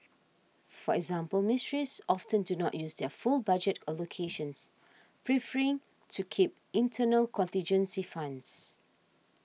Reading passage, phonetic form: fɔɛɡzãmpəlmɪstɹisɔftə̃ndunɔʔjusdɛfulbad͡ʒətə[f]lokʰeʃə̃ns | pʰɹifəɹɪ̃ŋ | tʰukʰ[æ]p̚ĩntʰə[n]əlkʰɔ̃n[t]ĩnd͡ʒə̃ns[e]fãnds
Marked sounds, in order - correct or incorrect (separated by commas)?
incorrect, incorrect, correct, correct, incorrect